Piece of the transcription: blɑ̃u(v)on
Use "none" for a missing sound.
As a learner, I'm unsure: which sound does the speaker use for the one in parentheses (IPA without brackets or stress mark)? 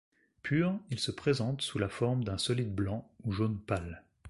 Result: ʒ